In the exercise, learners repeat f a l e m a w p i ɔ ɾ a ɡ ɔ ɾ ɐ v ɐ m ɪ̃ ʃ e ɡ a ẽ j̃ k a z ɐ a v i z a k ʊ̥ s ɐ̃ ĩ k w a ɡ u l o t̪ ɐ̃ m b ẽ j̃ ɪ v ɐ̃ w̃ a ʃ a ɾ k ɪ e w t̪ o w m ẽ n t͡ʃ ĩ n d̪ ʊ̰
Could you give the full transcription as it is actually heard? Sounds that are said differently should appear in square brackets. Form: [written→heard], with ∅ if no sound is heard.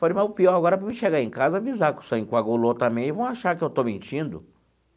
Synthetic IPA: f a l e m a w p i ɔ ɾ a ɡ ɔ ɾ ɐ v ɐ m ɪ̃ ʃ e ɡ a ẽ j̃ k a z ɐ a v i z a k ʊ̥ s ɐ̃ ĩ k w a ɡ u l o t̪ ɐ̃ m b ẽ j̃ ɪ v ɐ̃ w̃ a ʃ a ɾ k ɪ e w t̪ o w m ẽ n t͡ʃ ĩ n d̪ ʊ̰